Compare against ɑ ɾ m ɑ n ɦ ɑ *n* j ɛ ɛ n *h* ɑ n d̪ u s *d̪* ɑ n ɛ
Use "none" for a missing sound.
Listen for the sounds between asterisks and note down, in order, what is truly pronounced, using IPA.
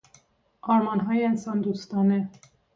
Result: none, s, t̪

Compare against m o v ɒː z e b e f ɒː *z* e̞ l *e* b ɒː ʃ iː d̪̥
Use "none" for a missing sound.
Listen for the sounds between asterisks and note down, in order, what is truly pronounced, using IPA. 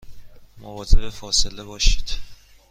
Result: s, e

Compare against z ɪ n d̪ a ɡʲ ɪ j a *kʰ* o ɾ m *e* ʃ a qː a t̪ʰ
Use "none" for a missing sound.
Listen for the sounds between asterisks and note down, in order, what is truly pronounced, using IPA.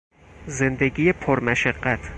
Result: pʰ, a

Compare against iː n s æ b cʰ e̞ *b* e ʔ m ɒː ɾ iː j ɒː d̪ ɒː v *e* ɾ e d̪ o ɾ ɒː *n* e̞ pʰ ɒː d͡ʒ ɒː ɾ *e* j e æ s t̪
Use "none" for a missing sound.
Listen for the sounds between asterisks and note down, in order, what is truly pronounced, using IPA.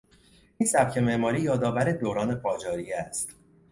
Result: m, æ, n, i

